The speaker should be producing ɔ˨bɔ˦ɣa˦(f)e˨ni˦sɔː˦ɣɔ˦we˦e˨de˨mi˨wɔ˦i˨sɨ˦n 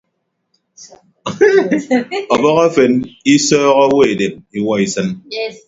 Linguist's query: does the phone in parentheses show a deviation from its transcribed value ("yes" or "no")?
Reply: no